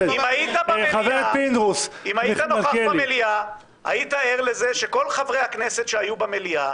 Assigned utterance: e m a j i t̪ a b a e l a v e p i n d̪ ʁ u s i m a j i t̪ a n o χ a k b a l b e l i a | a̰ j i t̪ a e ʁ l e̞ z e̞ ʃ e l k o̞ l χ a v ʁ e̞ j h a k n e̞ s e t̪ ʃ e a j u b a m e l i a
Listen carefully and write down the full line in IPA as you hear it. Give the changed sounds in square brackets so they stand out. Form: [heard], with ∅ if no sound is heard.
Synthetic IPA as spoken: [i] m a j i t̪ a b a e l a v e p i n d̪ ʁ u s i m a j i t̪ a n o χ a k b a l [m] e l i a | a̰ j i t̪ a e ʁ l e̞ z e̞ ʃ e [∅] k o̞ l χ a v ʁ e̞ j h a k n e̞ s e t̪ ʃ e a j u b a m e l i a